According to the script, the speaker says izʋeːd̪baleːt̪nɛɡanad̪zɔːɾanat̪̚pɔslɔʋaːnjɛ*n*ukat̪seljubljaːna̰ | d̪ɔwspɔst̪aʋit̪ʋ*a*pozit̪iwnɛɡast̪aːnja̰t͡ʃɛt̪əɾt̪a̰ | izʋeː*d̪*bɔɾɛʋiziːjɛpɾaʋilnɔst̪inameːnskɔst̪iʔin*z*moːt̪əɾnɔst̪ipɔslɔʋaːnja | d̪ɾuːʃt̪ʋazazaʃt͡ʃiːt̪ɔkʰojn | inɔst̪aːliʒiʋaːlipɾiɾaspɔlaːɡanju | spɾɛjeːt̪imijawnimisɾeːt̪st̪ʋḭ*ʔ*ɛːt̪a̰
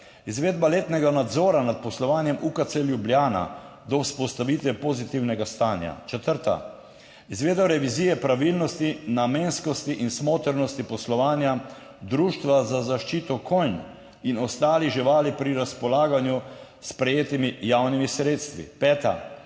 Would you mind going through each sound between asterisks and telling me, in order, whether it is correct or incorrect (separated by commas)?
incorrect, incorrect, correct, incorrect, incorrect